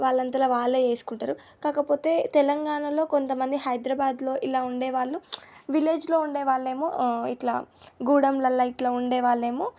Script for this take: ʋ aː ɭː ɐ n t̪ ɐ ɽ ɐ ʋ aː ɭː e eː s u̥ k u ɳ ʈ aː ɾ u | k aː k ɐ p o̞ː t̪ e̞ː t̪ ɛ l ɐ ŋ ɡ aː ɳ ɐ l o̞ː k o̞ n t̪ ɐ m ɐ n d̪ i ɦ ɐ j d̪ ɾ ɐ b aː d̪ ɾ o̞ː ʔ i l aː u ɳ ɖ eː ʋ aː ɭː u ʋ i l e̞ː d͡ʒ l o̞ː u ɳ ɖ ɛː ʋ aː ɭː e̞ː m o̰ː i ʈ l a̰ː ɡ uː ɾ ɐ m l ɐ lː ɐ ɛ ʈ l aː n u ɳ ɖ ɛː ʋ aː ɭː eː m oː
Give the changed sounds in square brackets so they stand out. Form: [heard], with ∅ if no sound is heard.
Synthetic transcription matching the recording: ʋ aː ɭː ɐ n t̪ ɐ [l] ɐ ʋ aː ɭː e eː s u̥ k u ɳ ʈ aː ɾ u | k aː k ɐ p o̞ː t̪ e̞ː t̪ ɛ l ɐ ŋ ɡ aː ɳ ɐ l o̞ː k o̞ n t̪ ɐ m ɐ n d̪ i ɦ ɐ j d̪ ɾ ɐ b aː d̪ [l] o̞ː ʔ i l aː u ɳ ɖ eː ʋ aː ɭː u ʋ i l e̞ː d͡ʒ l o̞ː u ɳ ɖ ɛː ʋ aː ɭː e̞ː m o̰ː i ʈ l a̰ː ɡ uː [ɽ] ɐ m l ɐ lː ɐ [i] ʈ l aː [∅] u ɳ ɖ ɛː ʋ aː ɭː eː m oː